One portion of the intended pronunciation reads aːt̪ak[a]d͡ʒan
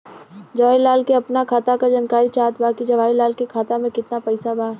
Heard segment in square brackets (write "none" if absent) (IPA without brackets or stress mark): a